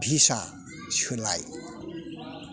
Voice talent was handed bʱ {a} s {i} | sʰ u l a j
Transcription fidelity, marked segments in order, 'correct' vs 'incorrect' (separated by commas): incorrect, incorrect